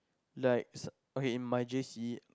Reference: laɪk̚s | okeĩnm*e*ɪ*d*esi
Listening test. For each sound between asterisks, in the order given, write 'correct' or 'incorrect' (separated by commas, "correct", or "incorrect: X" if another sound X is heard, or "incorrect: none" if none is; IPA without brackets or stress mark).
incorrect: a, incorrect: d͡ʒ